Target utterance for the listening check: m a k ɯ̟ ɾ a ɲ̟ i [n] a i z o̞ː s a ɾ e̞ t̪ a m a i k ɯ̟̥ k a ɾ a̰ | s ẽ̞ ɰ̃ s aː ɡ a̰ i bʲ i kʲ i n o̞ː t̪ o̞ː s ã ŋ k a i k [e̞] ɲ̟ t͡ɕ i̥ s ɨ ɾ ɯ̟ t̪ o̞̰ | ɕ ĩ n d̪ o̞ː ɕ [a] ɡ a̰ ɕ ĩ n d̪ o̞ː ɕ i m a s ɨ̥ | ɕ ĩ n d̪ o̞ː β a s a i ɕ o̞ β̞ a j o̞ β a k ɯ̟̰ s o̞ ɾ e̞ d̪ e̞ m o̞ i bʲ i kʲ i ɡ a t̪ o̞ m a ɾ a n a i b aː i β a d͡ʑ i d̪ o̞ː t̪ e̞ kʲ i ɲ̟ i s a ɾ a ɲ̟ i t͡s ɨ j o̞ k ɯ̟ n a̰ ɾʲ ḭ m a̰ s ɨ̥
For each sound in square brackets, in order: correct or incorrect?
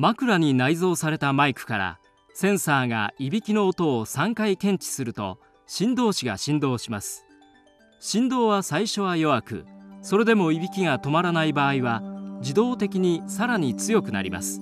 correct, incorrect: ẽ̞, incorrect: i

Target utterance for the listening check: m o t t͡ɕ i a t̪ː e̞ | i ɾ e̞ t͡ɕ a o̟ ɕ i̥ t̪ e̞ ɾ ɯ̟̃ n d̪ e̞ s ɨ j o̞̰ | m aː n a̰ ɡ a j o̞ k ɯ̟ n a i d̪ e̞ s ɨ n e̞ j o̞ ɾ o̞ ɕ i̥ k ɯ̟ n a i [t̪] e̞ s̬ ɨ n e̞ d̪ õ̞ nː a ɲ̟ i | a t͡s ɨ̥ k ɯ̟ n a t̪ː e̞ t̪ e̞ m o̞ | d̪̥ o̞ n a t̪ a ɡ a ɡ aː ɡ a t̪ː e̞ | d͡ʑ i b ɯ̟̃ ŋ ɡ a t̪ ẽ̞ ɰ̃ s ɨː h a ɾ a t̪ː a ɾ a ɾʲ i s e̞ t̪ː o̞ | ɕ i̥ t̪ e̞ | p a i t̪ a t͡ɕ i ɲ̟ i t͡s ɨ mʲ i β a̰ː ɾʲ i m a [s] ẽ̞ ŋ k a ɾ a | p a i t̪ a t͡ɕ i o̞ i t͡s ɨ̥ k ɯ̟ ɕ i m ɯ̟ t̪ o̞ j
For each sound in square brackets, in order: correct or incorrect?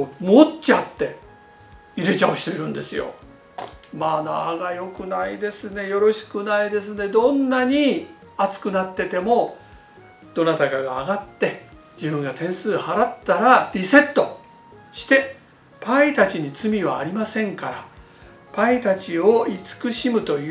incorrect: d̪, correct

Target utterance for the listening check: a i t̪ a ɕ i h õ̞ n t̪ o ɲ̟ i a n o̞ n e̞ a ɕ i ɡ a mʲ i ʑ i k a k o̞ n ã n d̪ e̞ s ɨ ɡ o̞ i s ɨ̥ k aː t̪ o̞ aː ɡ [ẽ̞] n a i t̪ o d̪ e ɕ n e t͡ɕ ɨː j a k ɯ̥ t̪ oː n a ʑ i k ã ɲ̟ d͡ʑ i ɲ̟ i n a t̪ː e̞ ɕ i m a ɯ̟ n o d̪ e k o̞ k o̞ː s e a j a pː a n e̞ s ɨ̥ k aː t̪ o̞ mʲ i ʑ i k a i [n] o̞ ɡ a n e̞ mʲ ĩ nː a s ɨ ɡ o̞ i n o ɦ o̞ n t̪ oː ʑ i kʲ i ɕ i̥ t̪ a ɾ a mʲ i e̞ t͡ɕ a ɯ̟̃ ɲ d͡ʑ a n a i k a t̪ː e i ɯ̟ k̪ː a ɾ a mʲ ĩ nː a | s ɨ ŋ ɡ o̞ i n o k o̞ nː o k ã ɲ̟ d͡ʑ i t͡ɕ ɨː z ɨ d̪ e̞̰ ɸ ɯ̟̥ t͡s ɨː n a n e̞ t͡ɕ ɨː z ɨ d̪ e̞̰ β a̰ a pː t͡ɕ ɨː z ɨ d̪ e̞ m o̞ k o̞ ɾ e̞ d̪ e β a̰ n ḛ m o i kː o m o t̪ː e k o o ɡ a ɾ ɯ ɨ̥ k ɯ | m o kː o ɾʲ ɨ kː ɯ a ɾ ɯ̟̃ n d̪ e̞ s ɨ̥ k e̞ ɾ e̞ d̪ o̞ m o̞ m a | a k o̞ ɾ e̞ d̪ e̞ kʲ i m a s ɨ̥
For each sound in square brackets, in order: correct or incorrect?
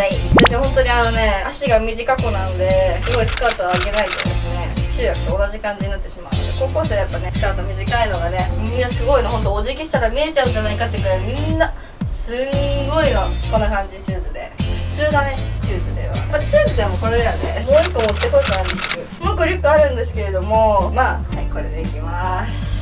incorrect: e̞, correct

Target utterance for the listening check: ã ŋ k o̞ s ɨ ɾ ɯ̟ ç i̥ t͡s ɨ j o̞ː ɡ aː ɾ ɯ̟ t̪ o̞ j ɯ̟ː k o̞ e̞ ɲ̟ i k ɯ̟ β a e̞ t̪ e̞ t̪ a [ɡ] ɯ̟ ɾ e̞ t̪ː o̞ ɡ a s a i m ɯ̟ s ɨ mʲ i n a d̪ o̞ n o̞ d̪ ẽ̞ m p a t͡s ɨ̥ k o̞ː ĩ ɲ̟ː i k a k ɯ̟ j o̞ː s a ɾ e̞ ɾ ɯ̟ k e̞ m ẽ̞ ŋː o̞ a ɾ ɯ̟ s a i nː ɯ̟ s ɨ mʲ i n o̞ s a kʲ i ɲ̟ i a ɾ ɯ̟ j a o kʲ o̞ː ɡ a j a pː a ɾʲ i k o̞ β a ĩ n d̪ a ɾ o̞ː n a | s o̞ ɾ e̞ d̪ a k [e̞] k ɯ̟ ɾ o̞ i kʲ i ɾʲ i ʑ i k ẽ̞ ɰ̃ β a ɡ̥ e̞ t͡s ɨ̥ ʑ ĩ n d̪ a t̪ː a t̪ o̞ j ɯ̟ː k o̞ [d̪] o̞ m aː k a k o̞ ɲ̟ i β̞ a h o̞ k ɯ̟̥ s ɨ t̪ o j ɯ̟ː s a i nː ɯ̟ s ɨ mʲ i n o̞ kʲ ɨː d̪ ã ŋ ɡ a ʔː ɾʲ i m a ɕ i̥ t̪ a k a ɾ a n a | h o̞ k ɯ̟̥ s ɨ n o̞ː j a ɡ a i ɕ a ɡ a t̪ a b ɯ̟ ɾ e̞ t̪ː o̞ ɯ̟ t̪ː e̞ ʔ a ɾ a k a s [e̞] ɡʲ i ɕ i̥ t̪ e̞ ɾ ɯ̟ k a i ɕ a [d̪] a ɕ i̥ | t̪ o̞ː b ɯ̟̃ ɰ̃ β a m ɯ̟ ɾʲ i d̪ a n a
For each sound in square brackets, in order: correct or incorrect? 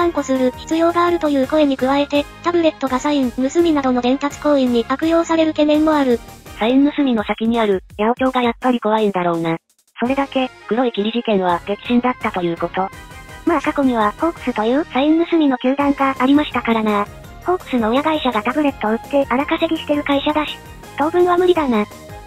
incorrect: b, correct, incorrect: t̪, correct, correct

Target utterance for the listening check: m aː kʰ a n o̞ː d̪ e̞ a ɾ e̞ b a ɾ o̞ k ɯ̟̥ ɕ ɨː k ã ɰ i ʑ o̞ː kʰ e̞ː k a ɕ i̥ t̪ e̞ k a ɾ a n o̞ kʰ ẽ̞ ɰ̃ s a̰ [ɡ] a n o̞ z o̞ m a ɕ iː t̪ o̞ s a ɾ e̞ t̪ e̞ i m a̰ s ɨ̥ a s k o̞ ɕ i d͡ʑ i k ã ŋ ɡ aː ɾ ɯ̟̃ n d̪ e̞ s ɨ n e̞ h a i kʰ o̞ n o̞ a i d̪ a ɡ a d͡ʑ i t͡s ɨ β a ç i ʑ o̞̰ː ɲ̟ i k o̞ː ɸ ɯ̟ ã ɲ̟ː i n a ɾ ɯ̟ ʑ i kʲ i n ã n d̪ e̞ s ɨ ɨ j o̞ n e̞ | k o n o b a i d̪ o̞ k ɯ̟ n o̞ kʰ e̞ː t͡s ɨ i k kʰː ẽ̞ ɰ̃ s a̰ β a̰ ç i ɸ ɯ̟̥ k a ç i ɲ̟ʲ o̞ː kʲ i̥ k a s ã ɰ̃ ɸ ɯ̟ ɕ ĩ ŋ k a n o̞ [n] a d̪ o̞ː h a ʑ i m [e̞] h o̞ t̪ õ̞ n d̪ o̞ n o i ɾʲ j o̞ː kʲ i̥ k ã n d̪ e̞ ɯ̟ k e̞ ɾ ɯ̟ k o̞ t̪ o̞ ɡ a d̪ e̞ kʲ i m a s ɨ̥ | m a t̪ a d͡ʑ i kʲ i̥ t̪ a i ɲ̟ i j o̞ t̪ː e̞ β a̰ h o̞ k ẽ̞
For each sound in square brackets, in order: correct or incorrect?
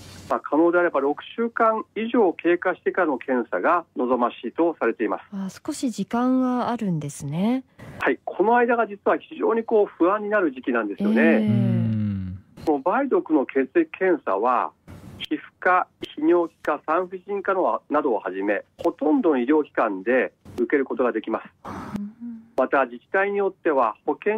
correct, correct, correct

